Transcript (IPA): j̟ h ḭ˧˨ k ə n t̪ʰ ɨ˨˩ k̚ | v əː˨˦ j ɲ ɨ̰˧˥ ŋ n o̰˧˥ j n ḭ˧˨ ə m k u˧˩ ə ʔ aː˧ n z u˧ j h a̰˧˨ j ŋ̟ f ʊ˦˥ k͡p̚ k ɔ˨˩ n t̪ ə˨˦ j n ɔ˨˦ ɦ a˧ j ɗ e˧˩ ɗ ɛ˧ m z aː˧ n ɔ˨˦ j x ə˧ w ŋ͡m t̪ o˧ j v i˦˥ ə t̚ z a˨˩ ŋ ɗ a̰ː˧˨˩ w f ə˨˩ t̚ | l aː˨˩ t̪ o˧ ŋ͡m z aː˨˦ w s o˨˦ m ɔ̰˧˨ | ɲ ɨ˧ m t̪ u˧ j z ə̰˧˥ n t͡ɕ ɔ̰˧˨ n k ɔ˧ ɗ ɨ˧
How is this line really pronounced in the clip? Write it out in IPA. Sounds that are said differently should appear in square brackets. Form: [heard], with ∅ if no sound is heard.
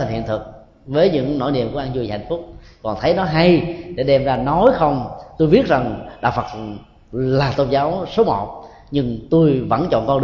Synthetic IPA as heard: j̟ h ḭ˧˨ [∅] ə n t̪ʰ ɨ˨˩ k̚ | v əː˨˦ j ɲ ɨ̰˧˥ ŋ n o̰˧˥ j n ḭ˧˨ ə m k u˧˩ ə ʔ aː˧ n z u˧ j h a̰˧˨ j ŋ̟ f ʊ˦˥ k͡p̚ k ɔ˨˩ n [t̪ʰ] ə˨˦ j n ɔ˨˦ ɦ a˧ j ɗ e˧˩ ɗ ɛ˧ m z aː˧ n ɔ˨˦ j x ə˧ w ŋ͡m t̪ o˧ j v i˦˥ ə t̚ z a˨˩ ŋ ɗ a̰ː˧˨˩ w f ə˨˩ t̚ | l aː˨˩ t̪ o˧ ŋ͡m z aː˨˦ w s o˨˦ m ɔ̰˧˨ | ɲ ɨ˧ [ŋ] t̪ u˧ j [v] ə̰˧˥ n t͡ɕ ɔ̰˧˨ n k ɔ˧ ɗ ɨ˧